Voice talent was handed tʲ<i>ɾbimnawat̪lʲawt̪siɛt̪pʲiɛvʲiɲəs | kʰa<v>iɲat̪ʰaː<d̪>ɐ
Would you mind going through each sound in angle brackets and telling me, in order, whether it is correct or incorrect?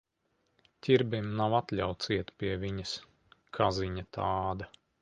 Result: correct, incorrect: z, correct

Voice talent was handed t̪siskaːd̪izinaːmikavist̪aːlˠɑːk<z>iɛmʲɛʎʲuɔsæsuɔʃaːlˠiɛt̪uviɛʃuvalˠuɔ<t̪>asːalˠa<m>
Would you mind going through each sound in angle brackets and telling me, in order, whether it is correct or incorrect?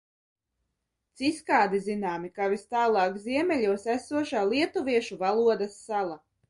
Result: correct, incorrect: d̪, incorrect: none

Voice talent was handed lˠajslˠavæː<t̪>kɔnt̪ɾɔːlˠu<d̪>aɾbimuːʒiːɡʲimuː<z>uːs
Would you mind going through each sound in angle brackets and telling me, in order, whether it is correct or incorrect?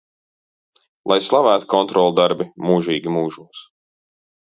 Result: correct, correct, incorrect: ʒ

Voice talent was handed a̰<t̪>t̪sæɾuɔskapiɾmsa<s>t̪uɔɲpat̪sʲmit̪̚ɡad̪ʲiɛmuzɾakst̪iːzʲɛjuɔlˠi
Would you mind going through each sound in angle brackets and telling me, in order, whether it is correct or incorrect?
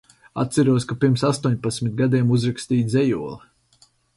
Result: correct, correct

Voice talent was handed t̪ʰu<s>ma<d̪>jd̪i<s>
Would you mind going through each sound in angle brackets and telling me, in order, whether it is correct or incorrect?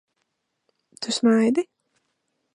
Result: correct, incorrect: none, incorrect: none

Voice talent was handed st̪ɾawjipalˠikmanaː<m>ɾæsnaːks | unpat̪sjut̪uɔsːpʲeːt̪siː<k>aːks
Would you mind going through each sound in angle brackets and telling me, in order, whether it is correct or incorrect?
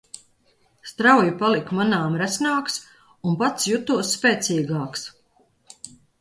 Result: correct, incorrect: ɡ

